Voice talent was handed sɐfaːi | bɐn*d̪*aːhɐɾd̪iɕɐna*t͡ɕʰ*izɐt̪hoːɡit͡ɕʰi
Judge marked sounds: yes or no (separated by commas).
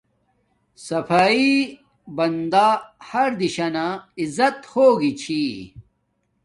yes, no